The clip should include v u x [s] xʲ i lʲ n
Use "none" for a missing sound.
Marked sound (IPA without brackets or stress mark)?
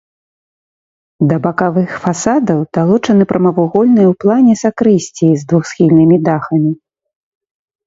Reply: s